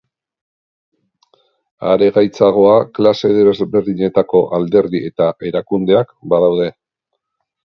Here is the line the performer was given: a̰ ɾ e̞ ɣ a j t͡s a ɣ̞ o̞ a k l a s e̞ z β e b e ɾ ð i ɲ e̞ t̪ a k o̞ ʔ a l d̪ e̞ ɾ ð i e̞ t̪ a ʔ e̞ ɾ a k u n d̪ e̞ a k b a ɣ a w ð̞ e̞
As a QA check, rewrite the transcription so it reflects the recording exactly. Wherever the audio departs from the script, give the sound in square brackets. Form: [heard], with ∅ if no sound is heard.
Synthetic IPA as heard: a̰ ɾ e̞ ɣ a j t͡s a ɣ̞ o̞ a k l a s e̞ [ð] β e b e ɾ ð i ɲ e̞ t̪ a k o̞ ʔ a l d̪ e̞ ɾ ð i e̞ t̪ a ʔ e̞ ɾ a k u n d̪ e̞ a k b a [ð] a w ð̞ e̞